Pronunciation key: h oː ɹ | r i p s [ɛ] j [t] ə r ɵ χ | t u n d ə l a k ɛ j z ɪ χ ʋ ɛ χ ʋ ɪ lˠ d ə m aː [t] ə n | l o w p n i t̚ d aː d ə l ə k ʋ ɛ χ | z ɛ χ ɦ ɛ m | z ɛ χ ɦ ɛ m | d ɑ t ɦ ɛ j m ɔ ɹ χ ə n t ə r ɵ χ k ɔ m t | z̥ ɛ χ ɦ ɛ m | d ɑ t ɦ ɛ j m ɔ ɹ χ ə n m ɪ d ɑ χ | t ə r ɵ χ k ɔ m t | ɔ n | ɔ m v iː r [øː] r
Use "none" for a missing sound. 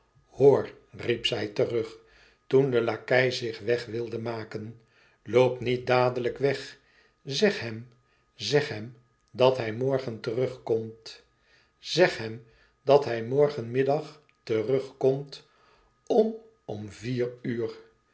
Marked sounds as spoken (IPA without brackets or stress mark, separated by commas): ɛ, t, k, yː